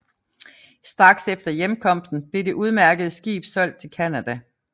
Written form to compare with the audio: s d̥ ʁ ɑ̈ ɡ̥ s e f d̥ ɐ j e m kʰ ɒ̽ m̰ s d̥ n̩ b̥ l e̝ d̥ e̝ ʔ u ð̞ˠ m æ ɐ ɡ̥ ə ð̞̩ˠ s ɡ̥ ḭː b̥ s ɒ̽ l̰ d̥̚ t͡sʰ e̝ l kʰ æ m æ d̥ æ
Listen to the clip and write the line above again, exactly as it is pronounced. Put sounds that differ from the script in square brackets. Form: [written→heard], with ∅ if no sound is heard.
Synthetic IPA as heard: s d̥ ʁ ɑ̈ ɡ̥ s e f d̥ ɐ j e m kʰ ɒ̽ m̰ s d̥ n̩ b̥ l e̝ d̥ e̝ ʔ u ð̞ˠ m æ ɐ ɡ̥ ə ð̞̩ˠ s ɡ̥ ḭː b̥ s ɒ̽ l̰ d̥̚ t͡sʰ e̝ l kʰ æ [m→n] æ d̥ æ